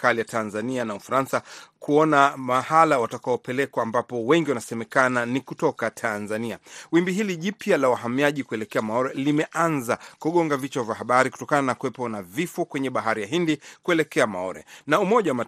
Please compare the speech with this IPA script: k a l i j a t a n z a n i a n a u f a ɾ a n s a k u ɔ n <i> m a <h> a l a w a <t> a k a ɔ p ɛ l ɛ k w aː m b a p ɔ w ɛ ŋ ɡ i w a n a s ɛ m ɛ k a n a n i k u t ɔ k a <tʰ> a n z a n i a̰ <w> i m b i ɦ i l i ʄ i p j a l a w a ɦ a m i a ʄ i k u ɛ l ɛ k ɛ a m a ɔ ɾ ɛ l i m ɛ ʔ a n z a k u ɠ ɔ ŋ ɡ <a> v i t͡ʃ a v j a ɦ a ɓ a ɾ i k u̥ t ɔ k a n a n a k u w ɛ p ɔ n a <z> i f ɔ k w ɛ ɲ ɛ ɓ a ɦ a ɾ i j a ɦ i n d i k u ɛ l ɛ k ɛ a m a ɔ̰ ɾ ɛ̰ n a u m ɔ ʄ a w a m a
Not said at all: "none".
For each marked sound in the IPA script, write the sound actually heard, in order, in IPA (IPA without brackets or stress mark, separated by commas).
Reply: a, h, t, tʰ, w, a, v